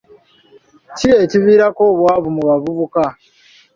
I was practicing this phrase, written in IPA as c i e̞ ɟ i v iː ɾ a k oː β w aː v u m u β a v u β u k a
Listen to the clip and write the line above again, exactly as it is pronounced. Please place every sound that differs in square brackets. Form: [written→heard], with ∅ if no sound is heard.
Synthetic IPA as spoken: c i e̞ [ɟ→c] i [v→β] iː ɾ a k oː β w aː [v→β] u m u β a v u β u k a